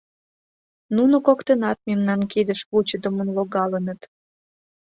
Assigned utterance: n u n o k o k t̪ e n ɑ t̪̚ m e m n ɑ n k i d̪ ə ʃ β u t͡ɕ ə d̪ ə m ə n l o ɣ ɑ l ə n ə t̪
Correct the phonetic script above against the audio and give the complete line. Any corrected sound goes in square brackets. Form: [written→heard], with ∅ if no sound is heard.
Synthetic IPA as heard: n u n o k o k t̪ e n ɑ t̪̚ m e m n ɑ n k i d̪ ə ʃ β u t͡ɕ ə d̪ ə m ə n l o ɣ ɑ l ə n ə t̪